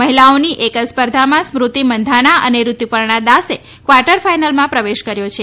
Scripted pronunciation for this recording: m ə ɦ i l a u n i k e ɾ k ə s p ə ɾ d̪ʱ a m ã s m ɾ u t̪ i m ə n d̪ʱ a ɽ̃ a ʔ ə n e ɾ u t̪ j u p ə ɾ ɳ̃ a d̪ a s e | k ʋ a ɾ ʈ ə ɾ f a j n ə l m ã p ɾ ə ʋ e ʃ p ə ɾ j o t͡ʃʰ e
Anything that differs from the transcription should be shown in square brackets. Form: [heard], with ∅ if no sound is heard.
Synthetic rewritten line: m ə ɦ i l a [o] n i [ʔ] e [∅] k ə s p ə ɾ d̪ʱ a m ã s m ɾ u t̪ i m ə n d̪ʱ a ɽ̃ a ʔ ə n e ɾ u t̪ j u p ə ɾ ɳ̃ a d̪ a s e | k ʋ a ɾ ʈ ə ɾ f a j n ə l m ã p ɾ ə ʋ e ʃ [k] ə ɾ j o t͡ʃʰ e